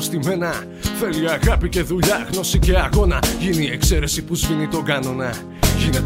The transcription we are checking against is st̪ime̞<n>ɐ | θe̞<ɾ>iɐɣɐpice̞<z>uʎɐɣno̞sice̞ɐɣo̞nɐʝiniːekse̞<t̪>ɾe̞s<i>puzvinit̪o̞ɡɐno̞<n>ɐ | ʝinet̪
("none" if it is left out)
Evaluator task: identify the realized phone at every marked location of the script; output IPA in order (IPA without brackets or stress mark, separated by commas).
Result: n, l, ð, none, i, n